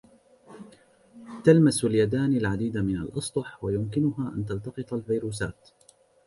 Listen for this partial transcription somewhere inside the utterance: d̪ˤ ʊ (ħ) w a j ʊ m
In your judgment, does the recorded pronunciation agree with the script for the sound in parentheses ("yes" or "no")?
yes